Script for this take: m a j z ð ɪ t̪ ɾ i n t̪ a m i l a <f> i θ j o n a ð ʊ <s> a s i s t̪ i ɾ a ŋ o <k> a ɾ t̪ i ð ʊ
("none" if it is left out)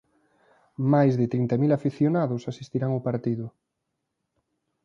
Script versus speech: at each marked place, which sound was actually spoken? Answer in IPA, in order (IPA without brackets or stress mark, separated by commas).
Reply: f, s, p